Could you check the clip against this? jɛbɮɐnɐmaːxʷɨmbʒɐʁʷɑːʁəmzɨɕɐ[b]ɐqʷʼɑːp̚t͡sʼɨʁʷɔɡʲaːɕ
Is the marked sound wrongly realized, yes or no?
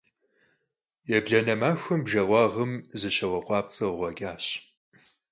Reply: yes